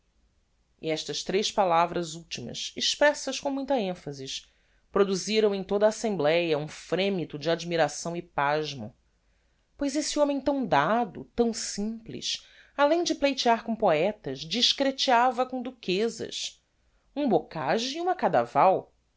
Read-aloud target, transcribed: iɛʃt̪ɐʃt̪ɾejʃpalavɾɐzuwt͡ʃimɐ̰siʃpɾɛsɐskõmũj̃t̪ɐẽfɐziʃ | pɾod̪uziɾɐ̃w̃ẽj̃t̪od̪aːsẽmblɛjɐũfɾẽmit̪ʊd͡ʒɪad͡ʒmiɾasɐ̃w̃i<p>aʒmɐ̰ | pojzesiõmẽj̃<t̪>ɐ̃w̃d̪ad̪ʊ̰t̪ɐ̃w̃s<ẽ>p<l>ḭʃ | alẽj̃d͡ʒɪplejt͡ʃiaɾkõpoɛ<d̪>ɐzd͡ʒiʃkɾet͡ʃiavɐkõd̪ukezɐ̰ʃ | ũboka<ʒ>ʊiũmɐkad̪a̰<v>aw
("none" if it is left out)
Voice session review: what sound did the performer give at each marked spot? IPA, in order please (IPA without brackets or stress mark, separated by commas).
p, t̪, ĩ, l, t̪, ʒ, v